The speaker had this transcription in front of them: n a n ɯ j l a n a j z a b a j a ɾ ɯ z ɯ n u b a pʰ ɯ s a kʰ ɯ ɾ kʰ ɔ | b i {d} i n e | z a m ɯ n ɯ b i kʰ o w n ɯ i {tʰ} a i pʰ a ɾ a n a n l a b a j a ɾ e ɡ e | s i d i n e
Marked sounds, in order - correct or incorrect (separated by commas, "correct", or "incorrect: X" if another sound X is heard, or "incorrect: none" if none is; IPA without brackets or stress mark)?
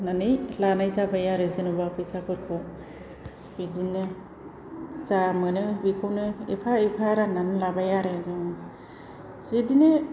correct, incorrect: pʰ